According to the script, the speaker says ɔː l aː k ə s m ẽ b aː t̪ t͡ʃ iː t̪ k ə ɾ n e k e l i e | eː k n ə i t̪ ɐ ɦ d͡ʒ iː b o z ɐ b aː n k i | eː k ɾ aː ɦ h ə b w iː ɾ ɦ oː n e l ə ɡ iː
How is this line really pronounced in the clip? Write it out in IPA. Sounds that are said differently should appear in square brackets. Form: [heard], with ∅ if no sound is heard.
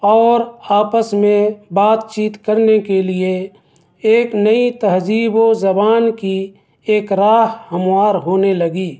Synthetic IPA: ɔː [ɾ] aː [p] ə s m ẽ b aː t̪ t͡ʃ iː t̪ k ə ɾ n e k e l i e | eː k n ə i t̪ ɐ ɦ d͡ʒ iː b o z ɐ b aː n k i | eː k ɾ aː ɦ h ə [m] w [aː] ɾ ɦ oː n e l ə ɡ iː